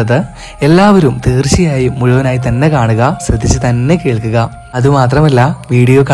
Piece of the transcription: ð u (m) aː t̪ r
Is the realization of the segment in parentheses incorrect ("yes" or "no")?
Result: no